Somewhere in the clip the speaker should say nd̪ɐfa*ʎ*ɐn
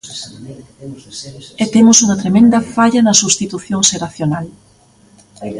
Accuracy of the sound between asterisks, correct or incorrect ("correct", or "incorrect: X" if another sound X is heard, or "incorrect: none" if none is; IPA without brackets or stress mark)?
correct